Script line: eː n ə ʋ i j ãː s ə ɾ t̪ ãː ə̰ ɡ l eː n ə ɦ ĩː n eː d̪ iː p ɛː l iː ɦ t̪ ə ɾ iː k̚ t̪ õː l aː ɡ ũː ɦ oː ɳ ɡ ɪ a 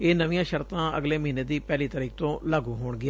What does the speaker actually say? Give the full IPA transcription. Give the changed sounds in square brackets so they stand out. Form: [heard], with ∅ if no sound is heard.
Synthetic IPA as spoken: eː n ə ʋ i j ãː [ʃ] ə ɾ t̪ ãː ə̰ ɡ l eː [m] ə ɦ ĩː n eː d̪ iː p ɛː l iː [∅] t̪ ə ɾ iː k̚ t̪ õː l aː ɡ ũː ɦ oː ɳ ɡ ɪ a